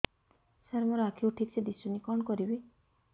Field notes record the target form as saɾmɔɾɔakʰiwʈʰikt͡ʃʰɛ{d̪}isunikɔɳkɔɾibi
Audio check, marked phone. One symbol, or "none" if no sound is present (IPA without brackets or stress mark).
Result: d̪